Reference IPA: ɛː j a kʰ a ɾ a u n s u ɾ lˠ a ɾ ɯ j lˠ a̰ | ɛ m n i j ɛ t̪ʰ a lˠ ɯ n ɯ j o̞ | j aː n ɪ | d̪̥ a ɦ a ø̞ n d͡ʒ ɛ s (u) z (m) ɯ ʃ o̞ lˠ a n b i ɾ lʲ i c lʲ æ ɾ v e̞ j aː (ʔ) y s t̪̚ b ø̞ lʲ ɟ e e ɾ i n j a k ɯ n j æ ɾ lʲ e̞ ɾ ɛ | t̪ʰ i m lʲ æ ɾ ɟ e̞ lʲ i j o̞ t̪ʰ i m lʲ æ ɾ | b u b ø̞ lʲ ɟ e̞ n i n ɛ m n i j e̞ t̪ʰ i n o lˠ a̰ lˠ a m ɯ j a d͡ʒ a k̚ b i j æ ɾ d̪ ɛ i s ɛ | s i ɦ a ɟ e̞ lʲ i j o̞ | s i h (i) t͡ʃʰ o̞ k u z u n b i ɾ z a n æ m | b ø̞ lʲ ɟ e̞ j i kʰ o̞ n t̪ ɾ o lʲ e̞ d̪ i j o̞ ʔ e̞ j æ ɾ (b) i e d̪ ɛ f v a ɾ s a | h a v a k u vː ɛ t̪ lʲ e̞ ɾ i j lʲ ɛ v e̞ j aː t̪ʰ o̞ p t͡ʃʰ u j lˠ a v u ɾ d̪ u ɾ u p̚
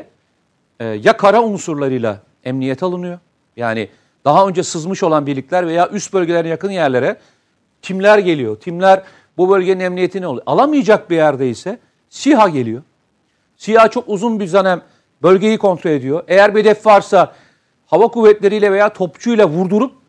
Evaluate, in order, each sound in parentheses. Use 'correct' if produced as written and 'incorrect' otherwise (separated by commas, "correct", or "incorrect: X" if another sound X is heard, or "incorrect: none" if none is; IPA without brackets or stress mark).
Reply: incorrect: ɯ, correct, correct, incorrect: a, correct